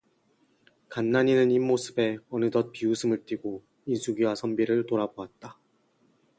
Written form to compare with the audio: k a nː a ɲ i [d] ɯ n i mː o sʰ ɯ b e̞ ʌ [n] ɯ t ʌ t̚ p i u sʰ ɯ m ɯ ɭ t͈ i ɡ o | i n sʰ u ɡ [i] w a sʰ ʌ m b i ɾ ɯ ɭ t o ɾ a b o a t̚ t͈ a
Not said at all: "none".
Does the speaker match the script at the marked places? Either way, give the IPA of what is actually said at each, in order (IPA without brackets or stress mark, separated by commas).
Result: n, n, i